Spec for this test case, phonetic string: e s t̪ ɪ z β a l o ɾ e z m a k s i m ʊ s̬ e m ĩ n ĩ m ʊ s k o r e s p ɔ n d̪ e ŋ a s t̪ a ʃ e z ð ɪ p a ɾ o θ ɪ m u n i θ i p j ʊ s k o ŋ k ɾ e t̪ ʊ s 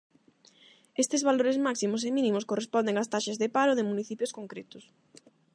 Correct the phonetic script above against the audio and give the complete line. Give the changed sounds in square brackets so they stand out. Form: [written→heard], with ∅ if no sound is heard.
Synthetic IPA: e s t̪ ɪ z β a l o ɾ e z m a k s i m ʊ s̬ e m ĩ n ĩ m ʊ s k o r e s p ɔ n d̪ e ŋ a s t̪ a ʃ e z ð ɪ p a ɾ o [θ→ð] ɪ m u n i θ i p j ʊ s k o ŋ k ɾ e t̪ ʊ s